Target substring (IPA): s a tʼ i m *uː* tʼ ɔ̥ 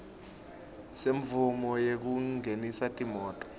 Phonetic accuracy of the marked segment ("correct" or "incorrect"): incorrect